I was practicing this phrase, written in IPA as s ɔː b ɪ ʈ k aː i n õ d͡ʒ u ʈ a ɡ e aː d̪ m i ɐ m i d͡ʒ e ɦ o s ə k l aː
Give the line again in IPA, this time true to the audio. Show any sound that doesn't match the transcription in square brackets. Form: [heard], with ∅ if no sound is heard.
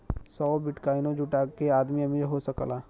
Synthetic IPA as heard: s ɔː b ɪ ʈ k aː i n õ d͡ʒ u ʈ a [k] e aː d̪ m i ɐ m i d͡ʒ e ɦ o s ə k l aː